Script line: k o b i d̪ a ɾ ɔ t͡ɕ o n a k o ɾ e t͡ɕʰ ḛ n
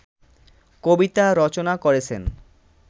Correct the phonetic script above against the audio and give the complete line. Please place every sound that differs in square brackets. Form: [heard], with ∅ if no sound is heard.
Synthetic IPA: k o b i [t̪] a ɾ ɔ t͡ɕ o n a k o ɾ e t͡ɕʰ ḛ n